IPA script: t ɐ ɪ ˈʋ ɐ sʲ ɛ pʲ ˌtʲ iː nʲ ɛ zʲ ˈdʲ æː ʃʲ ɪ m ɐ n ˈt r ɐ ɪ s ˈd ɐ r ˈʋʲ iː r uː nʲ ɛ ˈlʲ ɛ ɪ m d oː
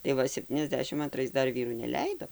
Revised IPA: t ɐ ɪ ˈʋ ɐ sʲ ɛ pʲ ˌtʲ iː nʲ ɛ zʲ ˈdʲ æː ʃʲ ɪ m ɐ n ˈt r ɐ ɪ s ˈd ɐ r ˈʋʲ iː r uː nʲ ɛ ˈlʲ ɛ ɪ d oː